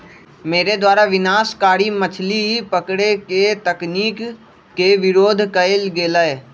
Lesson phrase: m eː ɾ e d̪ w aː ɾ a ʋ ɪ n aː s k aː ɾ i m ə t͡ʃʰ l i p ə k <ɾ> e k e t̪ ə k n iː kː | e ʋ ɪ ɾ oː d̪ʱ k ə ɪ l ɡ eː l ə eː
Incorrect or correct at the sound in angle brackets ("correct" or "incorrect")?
incorrect